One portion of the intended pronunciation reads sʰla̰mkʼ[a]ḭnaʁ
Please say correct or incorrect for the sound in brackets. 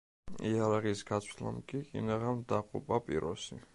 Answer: incorrect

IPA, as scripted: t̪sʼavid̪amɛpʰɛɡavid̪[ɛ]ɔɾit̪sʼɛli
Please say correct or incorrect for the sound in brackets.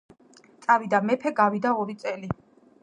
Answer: incorrect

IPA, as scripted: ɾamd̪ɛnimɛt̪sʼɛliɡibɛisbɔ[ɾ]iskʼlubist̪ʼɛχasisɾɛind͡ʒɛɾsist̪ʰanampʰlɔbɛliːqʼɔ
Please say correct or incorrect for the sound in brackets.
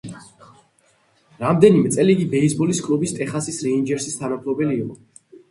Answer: incorrect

